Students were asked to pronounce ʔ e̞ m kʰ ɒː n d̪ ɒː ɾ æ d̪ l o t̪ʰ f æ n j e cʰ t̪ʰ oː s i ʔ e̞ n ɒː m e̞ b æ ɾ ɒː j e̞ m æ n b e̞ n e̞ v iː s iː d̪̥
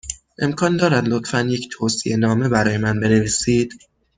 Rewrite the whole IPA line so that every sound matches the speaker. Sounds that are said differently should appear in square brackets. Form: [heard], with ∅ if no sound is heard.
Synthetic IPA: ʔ e̞ m kʰ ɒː n d̪ ɒː ɾ æ d̪ l o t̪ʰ f æ n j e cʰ t̪ʰ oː s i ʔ e̞ n ɒː m e̞ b æ ɾ ɒː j e̞ m æ n b e̞ n e̞ v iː s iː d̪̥